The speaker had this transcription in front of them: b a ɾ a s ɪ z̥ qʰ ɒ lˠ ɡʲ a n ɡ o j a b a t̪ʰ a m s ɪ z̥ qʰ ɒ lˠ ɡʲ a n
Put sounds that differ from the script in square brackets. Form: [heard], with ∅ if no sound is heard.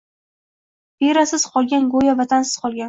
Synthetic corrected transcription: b [e] ɾ a s ɪ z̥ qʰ ɒ lˠ ɡʲ a n ɡ o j a [v] a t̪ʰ a [n] s ɪ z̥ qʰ ɒ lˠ ɡʲ a n